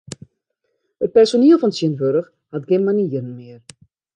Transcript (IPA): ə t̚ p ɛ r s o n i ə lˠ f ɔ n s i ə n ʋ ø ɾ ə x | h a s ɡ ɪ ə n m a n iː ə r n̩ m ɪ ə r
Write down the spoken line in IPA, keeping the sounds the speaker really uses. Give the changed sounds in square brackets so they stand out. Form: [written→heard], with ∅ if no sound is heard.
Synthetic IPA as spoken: ə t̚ p ɛ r s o n i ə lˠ f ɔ n s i ə n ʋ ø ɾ ə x | h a [s→t] ɡ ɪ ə n m a n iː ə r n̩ m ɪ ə r